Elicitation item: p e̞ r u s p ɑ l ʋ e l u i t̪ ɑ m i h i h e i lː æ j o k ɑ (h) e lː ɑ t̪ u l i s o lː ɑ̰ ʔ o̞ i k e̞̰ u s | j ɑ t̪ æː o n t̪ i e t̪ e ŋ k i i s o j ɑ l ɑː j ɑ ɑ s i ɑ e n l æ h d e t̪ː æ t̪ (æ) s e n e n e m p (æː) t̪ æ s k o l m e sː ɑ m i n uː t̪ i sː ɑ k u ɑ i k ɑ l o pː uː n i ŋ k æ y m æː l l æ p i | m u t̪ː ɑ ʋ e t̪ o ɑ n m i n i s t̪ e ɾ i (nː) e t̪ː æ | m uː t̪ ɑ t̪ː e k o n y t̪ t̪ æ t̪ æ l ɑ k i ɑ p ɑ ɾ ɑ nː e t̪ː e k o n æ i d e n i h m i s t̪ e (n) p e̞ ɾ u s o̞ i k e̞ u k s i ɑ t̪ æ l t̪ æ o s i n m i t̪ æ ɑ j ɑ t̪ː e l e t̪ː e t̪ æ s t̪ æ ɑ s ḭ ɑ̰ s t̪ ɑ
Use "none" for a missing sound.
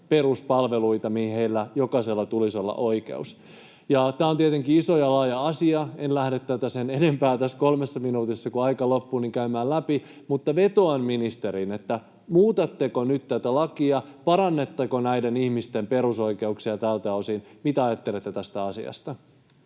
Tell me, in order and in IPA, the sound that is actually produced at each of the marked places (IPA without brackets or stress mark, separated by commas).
s, æ, æː, n, m